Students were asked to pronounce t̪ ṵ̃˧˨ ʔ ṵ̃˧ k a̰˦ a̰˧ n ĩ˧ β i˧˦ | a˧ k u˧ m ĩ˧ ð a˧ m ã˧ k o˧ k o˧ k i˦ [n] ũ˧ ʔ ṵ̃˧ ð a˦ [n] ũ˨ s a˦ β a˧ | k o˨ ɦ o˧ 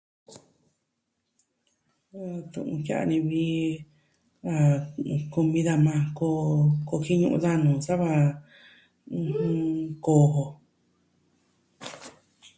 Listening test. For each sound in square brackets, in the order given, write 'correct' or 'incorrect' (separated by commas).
incorrect, correct